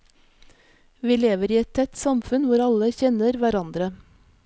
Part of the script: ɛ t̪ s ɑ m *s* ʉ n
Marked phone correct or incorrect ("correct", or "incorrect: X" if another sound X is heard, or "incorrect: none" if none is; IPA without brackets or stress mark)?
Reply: incorrect: f